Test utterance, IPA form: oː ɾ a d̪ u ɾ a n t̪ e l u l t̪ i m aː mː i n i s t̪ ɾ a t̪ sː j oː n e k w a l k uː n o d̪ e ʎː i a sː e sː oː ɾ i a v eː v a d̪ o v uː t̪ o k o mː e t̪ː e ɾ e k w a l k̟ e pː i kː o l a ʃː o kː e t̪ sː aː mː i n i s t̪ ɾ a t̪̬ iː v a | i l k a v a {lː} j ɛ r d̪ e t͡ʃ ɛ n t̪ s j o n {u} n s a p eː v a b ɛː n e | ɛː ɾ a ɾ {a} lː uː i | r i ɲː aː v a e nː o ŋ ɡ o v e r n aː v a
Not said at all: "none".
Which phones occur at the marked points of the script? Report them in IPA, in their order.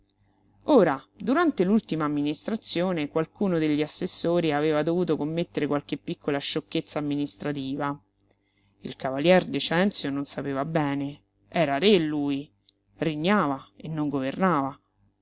l, o, e

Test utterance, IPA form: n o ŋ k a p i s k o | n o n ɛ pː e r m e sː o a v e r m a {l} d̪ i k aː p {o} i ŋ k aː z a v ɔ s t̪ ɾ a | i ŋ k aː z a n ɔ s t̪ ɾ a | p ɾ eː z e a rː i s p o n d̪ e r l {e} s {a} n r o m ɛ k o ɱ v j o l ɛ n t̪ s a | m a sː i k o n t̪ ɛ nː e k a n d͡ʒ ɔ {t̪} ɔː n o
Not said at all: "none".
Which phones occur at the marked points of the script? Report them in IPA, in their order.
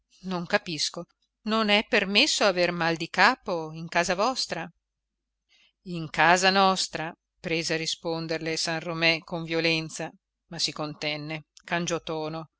l, o, e, a, t̪

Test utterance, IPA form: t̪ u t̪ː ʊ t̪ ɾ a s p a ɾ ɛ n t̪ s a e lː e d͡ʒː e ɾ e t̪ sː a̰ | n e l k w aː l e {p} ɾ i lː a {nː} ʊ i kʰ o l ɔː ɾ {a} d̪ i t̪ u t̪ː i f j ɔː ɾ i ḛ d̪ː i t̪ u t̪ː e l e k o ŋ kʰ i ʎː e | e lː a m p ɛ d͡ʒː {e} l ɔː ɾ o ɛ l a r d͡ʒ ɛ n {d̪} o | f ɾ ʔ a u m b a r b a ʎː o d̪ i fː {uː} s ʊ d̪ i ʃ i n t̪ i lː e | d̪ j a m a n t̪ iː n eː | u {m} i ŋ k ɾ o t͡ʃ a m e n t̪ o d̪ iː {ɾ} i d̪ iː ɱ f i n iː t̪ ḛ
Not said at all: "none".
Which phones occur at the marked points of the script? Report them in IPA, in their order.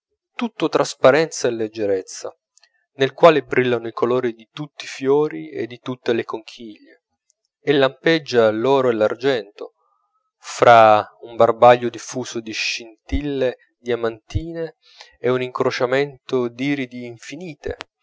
b, n, i, a, t̪, uː, n, ɾ

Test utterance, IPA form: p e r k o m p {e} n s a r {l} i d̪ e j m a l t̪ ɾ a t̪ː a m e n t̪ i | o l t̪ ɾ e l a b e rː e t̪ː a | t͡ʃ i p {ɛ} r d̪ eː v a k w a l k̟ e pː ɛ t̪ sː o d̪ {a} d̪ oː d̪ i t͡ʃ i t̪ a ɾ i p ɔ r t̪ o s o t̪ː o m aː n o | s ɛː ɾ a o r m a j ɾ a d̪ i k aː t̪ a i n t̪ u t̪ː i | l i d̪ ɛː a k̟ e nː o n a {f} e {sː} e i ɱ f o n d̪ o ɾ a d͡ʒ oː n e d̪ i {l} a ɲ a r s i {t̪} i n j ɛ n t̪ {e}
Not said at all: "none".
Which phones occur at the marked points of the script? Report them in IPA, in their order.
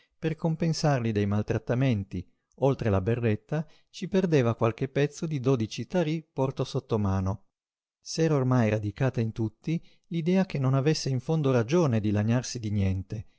e, l, e, i, v, sː, l, d̪, e

